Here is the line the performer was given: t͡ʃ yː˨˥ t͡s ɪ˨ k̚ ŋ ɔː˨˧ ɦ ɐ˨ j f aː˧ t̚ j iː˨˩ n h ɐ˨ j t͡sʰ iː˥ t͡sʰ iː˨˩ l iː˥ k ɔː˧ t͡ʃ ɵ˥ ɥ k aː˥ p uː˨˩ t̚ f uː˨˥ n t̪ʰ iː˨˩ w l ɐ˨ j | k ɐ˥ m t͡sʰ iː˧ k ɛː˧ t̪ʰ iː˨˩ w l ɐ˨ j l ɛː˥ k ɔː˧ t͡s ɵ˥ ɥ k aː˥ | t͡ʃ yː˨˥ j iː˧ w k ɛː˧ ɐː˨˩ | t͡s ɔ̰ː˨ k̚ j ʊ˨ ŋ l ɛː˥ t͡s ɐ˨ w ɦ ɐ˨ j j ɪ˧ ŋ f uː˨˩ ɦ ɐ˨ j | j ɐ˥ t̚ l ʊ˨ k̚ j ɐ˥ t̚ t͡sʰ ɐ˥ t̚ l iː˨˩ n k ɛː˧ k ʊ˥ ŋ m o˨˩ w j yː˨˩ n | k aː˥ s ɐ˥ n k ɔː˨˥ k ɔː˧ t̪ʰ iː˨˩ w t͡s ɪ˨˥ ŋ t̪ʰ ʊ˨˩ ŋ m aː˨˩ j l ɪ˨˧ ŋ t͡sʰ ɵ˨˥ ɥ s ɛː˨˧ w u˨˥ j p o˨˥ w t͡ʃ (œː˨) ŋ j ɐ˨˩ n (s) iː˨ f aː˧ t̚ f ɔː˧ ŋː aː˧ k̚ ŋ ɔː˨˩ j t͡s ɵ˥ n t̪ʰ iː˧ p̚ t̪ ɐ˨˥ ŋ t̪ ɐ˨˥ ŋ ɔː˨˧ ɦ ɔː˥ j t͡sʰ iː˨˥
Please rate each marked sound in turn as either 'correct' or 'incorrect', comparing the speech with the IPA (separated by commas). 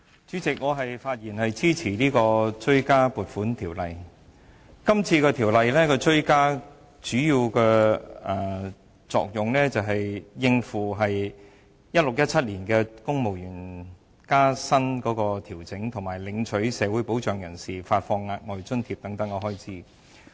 correct, correct